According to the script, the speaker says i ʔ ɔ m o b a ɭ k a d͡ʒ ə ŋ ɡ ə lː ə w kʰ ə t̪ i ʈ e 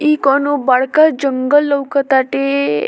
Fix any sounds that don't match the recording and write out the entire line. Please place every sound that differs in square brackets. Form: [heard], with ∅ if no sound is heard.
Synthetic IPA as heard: i [k] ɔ [n] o b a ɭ k a d͡ʒ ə ŋ ɡ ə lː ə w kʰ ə t̪ [a] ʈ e